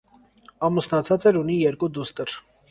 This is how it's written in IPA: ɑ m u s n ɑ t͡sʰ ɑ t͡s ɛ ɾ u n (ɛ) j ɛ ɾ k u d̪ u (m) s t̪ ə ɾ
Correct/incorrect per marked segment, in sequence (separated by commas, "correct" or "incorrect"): incorrect, incorrect